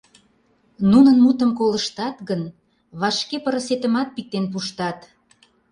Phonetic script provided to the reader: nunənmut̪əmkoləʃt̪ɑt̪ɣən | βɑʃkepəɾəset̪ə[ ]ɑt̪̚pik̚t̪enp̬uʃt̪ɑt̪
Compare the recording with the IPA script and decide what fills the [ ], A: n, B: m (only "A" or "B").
B